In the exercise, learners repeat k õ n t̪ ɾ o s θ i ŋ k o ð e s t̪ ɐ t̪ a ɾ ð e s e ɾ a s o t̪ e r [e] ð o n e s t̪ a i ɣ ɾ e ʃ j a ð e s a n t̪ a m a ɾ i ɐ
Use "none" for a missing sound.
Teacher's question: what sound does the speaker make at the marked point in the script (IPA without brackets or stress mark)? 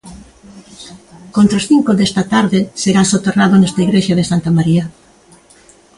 a